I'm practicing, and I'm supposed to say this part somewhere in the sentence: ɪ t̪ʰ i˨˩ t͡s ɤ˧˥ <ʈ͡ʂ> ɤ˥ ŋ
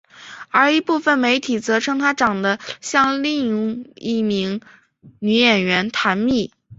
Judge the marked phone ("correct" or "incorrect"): incorrect